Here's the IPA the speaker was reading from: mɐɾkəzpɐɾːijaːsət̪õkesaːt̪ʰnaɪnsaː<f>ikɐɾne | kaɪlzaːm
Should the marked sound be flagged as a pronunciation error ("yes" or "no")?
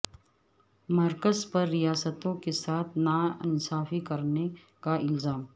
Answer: no